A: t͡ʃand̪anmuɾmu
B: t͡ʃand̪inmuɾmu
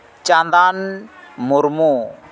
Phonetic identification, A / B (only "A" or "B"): A